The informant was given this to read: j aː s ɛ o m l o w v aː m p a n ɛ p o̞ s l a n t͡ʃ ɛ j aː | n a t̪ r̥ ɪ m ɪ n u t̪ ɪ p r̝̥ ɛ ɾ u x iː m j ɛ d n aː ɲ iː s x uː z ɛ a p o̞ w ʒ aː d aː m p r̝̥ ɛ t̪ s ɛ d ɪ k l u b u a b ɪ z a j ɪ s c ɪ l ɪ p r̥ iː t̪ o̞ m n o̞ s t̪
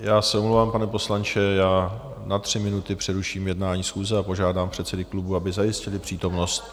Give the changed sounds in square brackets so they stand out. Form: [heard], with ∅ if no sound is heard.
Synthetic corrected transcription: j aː s ɛ o m l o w v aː m p a n ɛ p o̞ s l a n t͡ʃ ɛ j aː | n a t̪ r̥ ɪ m ɪ n u t̪ ɪ p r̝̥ ɛ ɾ u [ʃ] iː m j ɛ d n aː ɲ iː s x uː z ɛ a p o̞ [∅] ʒ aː d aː m p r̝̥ ɛ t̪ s ɛ d ɪ k l u b u a b ɪ z a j ɪ s c ɪ l ɪ p r̥ iː t̪ o̞ m n o̞ s t̪